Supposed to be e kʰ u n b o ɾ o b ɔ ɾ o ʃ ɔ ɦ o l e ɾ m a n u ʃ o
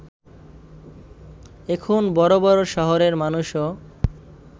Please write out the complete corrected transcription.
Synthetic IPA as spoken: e kʰ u n b ɔ ɾ o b ɔ ɾ o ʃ ɔ ɦ o ɾ e ɾ m a n u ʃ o